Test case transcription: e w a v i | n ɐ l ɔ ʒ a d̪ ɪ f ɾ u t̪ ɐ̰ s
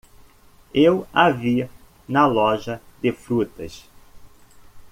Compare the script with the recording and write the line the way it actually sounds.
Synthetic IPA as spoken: e w a v i | n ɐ l ɔ ʒ ɐ d̪ ɪ f ɾ u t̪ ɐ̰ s